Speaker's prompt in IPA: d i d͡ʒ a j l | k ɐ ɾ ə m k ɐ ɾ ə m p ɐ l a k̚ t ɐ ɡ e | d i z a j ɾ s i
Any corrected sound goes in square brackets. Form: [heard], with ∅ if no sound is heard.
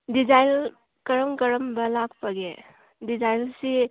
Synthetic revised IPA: d i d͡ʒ a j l | k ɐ ɾ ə m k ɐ ɾ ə m [b] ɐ l a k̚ [p] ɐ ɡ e | d i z a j [l] s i